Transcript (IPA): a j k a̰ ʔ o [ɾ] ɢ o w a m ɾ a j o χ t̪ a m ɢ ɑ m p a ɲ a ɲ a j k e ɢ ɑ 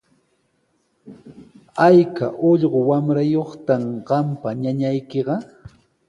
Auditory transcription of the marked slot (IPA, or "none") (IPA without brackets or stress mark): ʎ